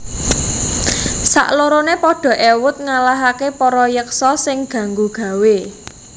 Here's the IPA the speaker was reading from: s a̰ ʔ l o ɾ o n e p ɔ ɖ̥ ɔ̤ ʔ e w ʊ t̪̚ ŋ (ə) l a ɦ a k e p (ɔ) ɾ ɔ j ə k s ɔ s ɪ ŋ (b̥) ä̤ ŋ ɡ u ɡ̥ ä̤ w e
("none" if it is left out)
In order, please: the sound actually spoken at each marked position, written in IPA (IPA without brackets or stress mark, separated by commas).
a, ɔ, ɡ̥